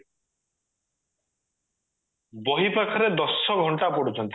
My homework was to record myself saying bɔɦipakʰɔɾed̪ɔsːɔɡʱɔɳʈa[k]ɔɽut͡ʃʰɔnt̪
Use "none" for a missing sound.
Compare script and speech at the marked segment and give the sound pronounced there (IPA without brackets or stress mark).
p